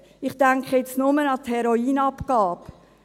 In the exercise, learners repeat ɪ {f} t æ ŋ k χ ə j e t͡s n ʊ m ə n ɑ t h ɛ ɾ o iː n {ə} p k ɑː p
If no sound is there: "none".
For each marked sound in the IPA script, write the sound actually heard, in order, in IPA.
χ, ɑ

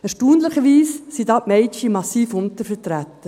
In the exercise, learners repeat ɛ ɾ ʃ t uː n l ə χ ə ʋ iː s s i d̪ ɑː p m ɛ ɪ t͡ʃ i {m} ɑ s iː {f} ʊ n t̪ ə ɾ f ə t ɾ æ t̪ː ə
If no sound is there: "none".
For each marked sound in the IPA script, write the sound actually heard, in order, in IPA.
m, f

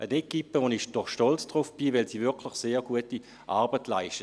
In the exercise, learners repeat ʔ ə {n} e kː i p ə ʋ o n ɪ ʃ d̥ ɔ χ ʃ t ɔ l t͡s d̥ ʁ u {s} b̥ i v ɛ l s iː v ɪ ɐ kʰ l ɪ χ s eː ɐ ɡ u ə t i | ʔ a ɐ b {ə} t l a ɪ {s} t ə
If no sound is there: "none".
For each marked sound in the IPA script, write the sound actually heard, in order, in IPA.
n, f, ə, ʃ

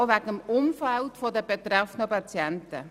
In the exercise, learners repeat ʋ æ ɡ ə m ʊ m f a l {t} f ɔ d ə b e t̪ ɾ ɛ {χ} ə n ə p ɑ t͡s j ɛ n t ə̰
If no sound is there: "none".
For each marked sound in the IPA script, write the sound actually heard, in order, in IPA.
t, f

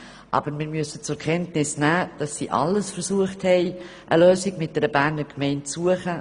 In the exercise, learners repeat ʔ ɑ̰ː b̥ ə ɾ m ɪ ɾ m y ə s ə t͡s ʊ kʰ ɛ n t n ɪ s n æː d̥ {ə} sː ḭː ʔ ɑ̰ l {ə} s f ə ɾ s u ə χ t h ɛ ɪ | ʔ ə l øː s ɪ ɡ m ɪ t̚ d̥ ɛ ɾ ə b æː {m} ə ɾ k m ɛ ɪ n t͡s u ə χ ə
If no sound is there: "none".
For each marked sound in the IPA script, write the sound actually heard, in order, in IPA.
ɑ, ə, n

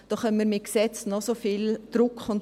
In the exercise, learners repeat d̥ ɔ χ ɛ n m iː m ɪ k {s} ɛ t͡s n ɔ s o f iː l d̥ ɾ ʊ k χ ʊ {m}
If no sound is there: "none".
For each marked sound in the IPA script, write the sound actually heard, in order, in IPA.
s, n

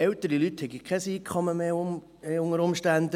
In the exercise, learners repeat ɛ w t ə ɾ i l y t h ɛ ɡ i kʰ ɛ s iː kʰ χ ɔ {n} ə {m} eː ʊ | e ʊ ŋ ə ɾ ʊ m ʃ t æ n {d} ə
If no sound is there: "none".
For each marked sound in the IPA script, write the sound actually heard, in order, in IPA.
m, m, d

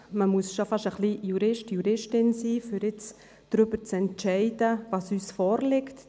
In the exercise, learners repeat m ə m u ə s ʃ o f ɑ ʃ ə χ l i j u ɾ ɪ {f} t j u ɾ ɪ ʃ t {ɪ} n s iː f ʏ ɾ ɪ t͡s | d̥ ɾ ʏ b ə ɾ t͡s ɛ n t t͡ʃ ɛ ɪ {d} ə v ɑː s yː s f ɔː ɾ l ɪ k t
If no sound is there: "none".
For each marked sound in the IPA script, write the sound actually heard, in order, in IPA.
ʃ, ɪ, d

